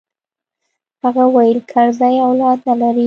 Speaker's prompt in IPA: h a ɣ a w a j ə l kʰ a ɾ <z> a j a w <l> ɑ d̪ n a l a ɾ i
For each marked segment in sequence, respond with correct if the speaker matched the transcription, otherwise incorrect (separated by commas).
correct, correct